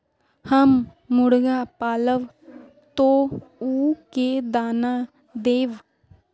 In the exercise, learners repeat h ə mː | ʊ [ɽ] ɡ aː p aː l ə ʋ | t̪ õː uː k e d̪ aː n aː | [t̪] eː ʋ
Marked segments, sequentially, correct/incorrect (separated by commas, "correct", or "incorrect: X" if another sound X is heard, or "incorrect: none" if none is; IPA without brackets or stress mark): correct, incorrect: d̪